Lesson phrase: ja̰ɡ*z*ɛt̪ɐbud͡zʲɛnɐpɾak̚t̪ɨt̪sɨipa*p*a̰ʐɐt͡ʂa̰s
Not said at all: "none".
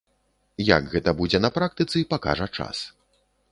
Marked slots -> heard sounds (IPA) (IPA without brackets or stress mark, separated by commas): ɣ, k